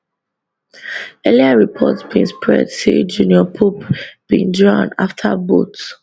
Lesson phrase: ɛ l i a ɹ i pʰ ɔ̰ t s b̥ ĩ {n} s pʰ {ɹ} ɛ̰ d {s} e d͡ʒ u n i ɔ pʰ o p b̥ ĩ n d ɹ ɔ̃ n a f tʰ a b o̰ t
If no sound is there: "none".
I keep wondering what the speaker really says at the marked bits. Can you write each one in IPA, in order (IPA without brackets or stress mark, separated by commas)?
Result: n, ɹ, s